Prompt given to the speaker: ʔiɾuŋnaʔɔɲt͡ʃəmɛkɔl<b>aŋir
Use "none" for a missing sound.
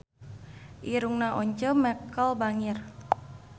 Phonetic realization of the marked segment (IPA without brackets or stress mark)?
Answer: b